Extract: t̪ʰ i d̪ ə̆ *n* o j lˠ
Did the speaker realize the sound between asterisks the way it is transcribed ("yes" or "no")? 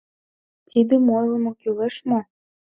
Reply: no